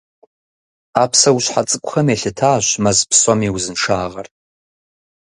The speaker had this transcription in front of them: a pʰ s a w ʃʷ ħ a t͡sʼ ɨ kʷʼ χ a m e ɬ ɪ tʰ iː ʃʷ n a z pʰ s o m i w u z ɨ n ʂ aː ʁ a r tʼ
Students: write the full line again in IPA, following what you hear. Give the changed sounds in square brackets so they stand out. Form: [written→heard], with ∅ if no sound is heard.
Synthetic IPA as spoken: a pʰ s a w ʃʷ ħ a t͡sʼ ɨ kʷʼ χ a m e ɬ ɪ tʰ [iː→aː] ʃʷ [n→m] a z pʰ s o m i w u z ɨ n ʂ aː ʁ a r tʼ